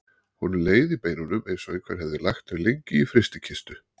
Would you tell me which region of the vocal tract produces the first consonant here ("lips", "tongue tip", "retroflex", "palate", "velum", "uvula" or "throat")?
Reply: throat